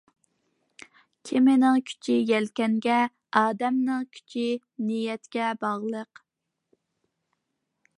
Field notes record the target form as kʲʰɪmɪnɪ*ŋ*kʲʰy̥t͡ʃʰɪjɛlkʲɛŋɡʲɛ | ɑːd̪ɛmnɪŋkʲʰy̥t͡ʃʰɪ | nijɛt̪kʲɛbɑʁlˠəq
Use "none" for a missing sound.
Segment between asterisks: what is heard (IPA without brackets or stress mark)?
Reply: ŋ